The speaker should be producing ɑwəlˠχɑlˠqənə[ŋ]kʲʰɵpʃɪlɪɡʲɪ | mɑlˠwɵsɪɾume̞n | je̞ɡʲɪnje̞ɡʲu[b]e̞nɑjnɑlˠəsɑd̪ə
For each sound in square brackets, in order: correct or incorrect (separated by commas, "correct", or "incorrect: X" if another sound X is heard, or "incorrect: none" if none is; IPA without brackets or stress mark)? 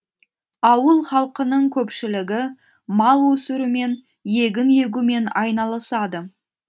incorrect: ɴ, incorrect: m